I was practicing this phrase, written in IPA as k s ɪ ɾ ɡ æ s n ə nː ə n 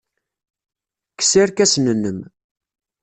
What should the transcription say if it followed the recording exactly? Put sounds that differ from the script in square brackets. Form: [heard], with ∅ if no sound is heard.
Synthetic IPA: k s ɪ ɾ [k] æ s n ə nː ə [m]